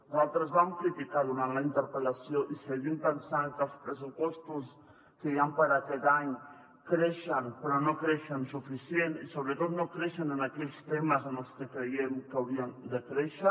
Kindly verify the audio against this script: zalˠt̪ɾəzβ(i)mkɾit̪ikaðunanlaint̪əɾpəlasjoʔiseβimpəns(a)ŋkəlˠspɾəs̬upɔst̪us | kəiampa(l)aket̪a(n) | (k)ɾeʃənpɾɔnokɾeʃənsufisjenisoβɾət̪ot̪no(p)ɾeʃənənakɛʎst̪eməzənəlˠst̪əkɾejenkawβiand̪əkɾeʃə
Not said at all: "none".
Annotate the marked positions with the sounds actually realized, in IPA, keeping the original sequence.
a, a, ɾ, ɲ, k, k

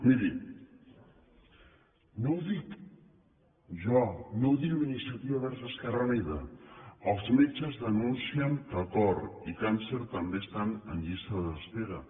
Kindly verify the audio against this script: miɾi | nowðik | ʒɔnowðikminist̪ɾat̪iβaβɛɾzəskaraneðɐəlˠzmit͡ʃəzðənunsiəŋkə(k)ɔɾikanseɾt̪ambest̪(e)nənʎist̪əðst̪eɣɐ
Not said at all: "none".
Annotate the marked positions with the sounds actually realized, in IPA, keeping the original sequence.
k, a

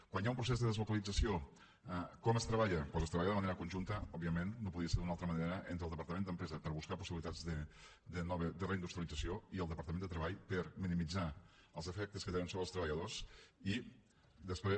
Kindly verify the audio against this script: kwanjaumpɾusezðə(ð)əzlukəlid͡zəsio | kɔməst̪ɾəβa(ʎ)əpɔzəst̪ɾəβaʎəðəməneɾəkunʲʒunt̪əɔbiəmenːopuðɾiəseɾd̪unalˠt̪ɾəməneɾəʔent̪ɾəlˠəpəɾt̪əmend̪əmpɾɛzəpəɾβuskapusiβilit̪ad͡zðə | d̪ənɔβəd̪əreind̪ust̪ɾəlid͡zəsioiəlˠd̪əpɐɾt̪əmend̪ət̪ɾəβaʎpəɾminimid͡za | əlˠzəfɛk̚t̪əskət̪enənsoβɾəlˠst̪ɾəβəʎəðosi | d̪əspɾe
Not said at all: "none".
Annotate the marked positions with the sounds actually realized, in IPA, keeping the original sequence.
ð, ʎ

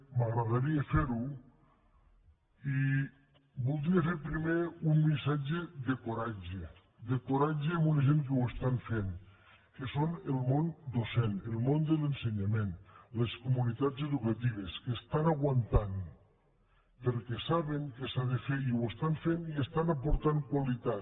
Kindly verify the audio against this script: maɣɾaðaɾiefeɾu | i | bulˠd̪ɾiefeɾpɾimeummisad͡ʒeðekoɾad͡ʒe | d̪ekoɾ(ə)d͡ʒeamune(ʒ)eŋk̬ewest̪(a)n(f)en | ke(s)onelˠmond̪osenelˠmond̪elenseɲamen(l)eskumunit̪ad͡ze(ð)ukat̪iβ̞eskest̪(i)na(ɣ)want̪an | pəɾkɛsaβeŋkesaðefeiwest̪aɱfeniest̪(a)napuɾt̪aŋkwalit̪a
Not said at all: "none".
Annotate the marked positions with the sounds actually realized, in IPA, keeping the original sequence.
a, ʒ, a, f, s, l, ð, a, ɣ, a

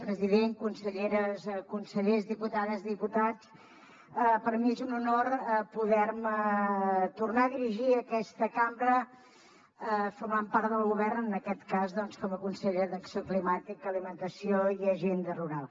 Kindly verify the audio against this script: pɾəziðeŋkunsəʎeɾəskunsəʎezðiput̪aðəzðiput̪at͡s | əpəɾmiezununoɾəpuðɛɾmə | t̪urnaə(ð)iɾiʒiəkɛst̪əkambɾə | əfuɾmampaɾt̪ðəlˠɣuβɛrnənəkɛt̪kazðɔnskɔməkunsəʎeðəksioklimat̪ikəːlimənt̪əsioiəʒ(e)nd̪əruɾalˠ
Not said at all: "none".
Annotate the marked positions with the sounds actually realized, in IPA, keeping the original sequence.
ð, e

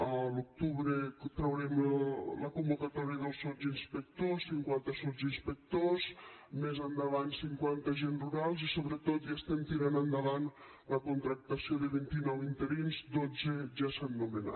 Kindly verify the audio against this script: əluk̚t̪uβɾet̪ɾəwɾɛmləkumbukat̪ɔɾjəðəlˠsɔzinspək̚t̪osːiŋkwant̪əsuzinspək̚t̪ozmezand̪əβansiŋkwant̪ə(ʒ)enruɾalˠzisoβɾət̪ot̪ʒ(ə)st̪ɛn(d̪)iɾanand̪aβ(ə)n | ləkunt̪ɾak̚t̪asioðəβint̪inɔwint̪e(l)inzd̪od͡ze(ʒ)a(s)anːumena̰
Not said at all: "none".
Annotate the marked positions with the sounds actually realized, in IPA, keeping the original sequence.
ʒ, a, t̪, a, ɾ, ʒ, s

